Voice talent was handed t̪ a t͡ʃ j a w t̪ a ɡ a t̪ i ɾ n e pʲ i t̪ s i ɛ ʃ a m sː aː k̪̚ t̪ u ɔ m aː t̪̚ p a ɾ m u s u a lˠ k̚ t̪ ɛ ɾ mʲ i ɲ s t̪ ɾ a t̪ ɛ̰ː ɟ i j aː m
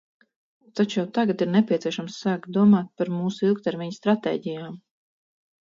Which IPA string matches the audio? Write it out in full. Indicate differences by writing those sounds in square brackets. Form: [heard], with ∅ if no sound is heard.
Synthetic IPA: t̪ a t͡ʃ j a w t̪ a ɡ a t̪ i ɾ n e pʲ i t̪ s i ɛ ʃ a m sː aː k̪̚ [d̪] u ɔ m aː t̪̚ p a ɾ m [uː] s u [i] lˠ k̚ t̪ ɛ ɾ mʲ i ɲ s t̪ ɾ a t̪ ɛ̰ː ɟ i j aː m